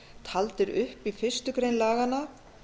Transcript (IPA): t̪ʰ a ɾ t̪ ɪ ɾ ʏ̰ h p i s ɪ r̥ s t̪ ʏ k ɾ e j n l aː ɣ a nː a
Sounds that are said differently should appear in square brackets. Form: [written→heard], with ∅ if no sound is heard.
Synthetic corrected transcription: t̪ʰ a [ɾ→l] t̪ ɪ ɾ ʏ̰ h p i [s→f] ɪ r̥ s t̪ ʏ k ɾ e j n l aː ɣ a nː a

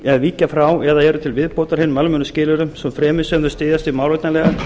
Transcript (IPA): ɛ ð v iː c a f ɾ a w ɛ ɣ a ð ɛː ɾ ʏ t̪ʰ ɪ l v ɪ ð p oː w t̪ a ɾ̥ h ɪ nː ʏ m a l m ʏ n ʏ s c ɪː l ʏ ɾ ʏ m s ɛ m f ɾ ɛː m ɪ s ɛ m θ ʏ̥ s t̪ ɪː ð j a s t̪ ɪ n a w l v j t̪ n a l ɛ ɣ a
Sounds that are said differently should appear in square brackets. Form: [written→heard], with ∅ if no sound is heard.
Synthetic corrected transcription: ɛ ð v iː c a f ɾ a w ɛ [ɣ→ð] a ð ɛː ɾ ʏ t̪ʰ ɪ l v ɪ ð p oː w t̪ a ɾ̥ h ɪ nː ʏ m a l m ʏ n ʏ s c ɪː l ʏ ɾ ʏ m s ɛ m f ɾ ɛː m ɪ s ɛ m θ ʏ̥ s t̪ ɪː ð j a s t̪ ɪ [n→m] a w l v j t̪ n a l ɛ ɣ a

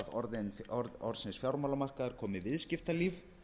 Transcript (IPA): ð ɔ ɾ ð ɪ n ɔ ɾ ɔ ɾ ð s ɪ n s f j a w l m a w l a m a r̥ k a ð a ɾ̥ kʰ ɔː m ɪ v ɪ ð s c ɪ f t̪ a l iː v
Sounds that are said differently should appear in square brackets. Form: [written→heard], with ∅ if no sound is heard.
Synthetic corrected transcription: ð ɔ ɾ ð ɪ n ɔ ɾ ɔ ɾ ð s ɪ n s f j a w [l→ɾ] m a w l a m a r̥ k a ð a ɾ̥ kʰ ɔː m ɪ v ɪ ð s c ɪ f t̪ a l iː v

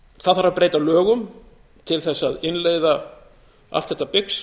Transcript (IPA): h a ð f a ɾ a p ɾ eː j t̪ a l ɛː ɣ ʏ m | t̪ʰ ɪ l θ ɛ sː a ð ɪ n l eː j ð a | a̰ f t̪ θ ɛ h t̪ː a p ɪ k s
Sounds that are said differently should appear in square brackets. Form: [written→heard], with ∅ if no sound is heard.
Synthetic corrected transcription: [h→θ] a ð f a ɾ a p ɾ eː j t̪ a l [ɛː→œː] ɣ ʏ m | t̪ʰ ɪ l θ ɛ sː a ð ɪ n l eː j ð a | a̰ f t̪ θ ɛ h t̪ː a p ɪ k s

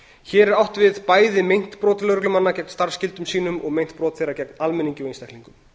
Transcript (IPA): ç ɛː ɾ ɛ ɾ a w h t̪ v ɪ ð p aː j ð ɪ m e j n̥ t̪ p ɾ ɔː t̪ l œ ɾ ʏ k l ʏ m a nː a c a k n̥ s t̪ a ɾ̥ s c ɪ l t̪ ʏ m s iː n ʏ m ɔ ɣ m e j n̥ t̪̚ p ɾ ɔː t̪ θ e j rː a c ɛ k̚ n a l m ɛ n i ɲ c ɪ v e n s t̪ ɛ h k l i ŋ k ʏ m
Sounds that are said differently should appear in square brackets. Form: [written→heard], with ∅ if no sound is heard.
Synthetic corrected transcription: ç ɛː ɾ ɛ ɾ a w h t̪ v ɪ ð p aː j ð ɪ m e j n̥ t̪ p ɾ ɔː t̪ l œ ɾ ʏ k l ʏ m a nː a c [a→ɛ] k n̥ s t̪ a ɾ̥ s c ɪ l t̪ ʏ m s iː n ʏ m ɔ ɣ m e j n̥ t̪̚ p ɾ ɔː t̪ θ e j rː a c ɛ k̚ n a l m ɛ n i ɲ c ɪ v e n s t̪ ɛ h k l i ŋ k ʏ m

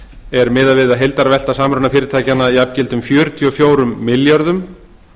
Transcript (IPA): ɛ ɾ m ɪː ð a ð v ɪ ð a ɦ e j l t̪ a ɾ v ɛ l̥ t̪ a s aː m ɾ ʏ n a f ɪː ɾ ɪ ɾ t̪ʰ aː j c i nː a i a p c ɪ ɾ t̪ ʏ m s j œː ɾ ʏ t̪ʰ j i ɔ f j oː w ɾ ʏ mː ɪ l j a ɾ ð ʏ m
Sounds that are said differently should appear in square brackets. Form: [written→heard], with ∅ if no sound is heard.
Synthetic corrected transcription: ɛ ɾ m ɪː ð a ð v ɪ ð a ɦ e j l t̪ a ɾ v ɛ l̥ t̪ a s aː m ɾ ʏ n a f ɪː ɾ ɪ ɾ t̪ʰ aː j c [i→a] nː a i a p c ɪ [ɾ→l] t̪ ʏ m [s→f] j œː ɾ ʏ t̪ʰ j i ɔ f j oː w ɾ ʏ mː ɪ l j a ɾ ð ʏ m

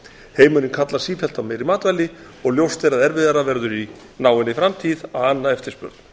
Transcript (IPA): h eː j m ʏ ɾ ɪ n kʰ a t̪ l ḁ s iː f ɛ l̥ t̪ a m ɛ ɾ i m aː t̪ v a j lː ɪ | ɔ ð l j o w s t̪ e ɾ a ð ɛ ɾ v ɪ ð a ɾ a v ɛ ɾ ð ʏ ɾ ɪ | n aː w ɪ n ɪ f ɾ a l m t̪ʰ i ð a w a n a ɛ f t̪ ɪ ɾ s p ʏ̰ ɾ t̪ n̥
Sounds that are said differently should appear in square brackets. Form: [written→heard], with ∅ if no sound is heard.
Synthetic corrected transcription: h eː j m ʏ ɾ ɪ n kʰ a t̪ l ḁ s iː f ɛ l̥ t̪ a m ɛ ɾ i m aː t̪ v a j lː ɪ | ɔ [ð→ɣ] l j o w s t̪ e ɾ a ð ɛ ɾ v ɪ ð a ɾ a v ɛ ɾ ð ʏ ɾ [ɪ→i] | n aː w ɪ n ɪ f ɾ a [l→∅] m t̪ʰ i ð a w a [n→nː] a ɛ f t̪ ɪ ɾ s p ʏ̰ ɾ t̪ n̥

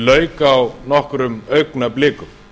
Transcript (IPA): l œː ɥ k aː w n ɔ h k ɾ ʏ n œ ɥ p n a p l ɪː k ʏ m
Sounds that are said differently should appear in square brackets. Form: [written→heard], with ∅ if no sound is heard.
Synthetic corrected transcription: l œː ɥ k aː w n ɔ h k ɾ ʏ [n→m] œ ɥ [p→k] n a p l ɪː k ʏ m

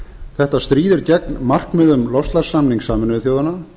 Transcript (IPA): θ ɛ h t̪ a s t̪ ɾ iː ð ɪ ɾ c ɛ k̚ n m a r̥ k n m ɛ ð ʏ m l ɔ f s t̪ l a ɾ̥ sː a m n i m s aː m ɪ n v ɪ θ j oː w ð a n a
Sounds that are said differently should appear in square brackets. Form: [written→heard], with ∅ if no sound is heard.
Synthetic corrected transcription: θ ɛ h t̪ a s t̪ ɾ iː ð ɪ ɾ c ɛ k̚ n m a r̥ k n m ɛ ð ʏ m l ɔ f s t̪ l a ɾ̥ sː a m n i [m→ŋ] s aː m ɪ n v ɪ θ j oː w ð a n a

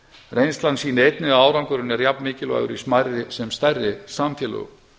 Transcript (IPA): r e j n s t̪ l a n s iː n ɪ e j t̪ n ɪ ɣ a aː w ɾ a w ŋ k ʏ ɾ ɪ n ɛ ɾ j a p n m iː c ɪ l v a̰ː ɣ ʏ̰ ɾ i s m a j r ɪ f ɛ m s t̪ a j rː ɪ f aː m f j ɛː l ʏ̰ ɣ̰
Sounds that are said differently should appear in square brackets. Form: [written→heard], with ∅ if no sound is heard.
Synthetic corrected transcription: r e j n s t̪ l a n s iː n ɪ e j t̪ n ɪ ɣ a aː w ɾ a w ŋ k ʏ ɾ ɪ n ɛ ɾ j a p n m [iː→ɪː] c ɪ l v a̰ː ɣ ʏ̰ ɾ i s m a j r ɪ [f→s] ɛ m s t̪ a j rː ɪ [f→s] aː m f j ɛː l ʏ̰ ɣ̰

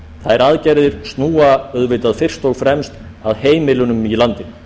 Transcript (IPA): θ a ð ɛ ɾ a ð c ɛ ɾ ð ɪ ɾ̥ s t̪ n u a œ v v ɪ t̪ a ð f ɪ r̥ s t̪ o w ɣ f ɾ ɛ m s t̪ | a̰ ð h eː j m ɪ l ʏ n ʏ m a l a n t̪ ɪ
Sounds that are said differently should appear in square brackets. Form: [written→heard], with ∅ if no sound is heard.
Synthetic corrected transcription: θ a ð ɛ ɾ a ð c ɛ ɾ ð ɪ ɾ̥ s t̪ n [u→uː] a œ [v→ð] v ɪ t̪ a ð f ɪ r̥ s t̪ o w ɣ f ɾ ɛ m s t̪ | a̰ ð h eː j m ɪ l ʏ n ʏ m [a→i] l a n t̪ ɪ

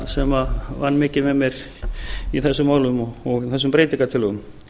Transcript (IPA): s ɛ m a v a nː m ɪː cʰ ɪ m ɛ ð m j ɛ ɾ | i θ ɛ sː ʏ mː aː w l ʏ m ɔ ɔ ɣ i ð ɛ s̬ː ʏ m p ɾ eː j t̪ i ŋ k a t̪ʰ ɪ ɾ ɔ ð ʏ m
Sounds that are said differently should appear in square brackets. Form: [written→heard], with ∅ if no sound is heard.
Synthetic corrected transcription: s ɛ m a v a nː m ɪː [cʰ→c] ɪ m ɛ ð m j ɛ ɾ | i θ ɛ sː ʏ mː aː w l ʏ m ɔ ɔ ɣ i [ð→θ] ɛ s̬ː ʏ m p ɾ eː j t̪ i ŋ k a t̪ʰ ɪ [ɾ→l] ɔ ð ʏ m

